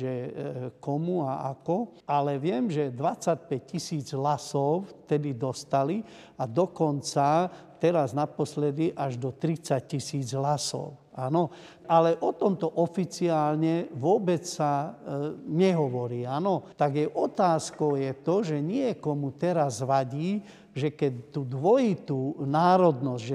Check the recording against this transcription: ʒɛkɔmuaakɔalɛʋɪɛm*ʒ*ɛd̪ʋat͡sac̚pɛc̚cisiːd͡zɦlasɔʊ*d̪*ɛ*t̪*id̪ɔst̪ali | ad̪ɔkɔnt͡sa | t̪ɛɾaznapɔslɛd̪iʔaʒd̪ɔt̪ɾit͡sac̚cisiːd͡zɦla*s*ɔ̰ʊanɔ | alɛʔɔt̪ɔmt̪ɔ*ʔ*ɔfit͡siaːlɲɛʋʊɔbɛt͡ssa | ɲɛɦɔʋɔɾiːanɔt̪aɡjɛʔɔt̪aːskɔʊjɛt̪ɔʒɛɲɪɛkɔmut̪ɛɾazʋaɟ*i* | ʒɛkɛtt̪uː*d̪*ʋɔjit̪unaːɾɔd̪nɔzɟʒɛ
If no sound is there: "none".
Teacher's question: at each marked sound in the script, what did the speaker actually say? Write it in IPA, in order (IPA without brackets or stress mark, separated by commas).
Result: ʒ, t̪, d̪, s, ʔ, iː, d̪